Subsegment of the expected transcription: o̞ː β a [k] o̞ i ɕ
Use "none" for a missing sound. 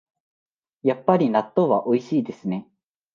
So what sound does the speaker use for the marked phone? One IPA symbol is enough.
ʔ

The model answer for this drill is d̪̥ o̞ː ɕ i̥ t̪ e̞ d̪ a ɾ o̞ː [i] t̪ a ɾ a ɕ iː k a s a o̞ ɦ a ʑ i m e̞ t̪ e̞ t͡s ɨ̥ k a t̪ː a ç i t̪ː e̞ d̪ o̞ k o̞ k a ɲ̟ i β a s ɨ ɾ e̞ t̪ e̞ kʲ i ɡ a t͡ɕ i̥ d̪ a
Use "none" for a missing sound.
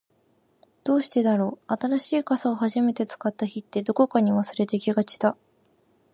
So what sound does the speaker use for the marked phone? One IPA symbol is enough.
a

